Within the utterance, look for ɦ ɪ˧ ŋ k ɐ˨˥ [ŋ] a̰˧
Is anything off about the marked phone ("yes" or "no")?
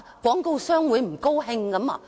yes